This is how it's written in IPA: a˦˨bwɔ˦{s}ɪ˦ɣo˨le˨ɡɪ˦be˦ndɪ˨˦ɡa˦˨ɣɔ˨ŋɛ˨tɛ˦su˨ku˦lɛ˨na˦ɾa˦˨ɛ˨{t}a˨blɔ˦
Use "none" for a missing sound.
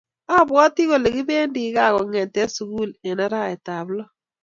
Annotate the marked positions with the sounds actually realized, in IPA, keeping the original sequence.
t, t

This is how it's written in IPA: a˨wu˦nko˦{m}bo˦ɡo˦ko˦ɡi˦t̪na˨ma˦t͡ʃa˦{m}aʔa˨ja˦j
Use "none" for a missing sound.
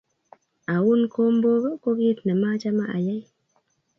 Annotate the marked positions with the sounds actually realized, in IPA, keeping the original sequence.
m, m

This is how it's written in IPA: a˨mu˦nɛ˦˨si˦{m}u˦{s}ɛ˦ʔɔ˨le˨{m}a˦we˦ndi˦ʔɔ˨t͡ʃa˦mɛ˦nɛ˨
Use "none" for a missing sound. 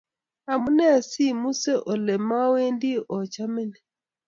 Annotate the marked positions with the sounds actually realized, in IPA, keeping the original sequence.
m, s, m

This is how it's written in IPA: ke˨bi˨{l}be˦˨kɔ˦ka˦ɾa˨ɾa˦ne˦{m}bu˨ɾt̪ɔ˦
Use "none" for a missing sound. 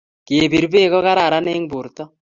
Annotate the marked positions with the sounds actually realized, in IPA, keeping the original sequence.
ɾ, ŋ

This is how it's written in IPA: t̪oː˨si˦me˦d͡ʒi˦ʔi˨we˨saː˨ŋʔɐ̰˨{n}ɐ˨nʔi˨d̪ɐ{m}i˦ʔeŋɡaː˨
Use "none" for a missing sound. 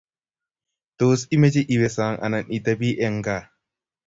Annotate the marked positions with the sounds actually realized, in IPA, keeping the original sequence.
n, b

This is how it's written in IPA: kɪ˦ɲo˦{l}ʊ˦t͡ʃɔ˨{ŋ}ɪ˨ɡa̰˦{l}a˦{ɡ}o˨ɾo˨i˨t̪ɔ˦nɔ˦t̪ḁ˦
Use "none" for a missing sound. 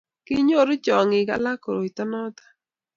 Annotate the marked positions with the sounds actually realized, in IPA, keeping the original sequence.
ɾ, ŋ, l, k

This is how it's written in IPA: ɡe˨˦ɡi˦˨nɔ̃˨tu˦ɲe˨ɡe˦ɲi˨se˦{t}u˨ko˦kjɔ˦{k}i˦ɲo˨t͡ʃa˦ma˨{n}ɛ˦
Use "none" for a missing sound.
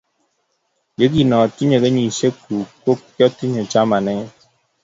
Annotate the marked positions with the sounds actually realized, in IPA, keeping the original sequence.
k, t, n

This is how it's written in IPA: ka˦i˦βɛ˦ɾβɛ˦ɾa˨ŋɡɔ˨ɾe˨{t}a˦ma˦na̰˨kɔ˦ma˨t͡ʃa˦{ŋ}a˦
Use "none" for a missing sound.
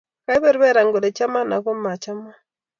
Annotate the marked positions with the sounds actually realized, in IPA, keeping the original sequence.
t͡ʃ, m

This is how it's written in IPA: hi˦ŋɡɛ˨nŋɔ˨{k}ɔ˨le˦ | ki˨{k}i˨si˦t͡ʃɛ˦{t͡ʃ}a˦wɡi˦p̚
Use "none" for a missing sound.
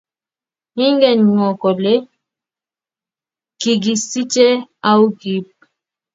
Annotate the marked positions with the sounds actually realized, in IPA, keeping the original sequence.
k, ɡ, none

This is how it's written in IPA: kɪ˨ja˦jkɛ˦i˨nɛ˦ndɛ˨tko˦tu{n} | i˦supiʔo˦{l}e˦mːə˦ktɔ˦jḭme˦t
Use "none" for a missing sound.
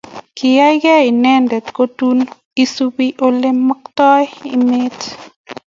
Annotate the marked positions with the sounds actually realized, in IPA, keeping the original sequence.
n, l

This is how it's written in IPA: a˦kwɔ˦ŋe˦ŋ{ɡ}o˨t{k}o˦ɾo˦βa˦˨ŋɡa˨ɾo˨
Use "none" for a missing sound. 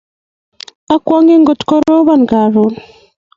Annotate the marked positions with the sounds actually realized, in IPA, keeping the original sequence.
ɡ, k

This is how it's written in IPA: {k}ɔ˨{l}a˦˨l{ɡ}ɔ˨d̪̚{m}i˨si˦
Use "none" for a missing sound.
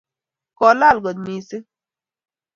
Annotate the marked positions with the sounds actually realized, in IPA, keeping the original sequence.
k, l, ɡ, m

